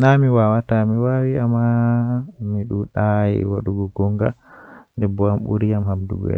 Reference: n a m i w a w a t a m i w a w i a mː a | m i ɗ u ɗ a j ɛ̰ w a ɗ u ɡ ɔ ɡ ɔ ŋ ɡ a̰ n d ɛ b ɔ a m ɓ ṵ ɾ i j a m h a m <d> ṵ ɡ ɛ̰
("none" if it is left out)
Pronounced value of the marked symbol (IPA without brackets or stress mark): d